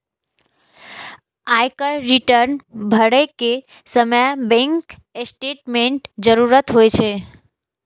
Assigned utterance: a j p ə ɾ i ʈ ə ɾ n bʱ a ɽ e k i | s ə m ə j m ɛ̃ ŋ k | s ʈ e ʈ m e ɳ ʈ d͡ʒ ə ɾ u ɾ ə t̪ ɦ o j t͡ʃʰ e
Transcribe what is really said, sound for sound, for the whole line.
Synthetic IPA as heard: a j k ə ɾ i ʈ ə ɾ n bʱ ə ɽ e k e | s ə m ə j b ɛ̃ ŋ k | s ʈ e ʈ m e ɳ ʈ d͡ʒ ə ɾ u ɾ ə t̪ ɦ o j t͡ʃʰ e